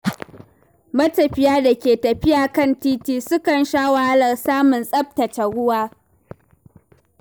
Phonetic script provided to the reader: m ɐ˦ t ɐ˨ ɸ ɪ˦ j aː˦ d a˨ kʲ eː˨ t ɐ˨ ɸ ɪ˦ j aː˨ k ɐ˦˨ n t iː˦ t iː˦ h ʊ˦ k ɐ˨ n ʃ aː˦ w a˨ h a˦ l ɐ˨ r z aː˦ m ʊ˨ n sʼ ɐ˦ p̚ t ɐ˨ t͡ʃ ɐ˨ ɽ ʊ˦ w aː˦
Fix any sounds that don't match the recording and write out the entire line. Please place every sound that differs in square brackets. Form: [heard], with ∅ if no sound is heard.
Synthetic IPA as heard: m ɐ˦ t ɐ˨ ɸ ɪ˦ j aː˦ d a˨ kʲ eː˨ t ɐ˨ ɸ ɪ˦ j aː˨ k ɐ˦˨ n t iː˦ t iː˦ [s] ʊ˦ k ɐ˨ n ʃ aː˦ w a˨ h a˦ l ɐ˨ r [s] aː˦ m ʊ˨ n sʼ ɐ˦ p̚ t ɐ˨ t͡ʃ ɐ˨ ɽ ʊ˦ w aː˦